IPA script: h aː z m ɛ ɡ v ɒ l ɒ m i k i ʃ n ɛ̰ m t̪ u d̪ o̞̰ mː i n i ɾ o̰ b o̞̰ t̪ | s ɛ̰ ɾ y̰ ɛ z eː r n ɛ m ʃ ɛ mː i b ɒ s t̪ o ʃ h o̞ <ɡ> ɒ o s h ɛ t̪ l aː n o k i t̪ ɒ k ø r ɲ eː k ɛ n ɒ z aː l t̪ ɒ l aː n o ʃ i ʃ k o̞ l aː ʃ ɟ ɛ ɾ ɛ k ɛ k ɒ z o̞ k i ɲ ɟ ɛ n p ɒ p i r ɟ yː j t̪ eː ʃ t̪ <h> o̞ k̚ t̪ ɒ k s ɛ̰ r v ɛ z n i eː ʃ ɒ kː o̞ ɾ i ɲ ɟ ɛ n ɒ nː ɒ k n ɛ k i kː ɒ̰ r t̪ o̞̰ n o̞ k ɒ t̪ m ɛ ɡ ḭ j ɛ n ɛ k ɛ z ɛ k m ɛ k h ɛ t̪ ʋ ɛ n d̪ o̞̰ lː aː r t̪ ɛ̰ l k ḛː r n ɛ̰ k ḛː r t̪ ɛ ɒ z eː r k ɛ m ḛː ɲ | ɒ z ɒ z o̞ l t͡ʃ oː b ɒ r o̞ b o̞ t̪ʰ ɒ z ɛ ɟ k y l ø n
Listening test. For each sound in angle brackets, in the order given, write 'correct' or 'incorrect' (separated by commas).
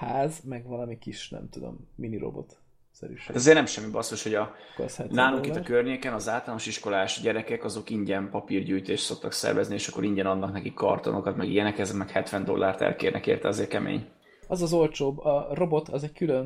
incorrect, incorrect